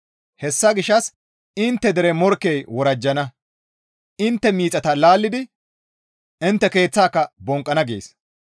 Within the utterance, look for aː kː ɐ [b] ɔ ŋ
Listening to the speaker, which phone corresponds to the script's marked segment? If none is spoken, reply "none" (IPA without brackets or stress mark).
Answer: b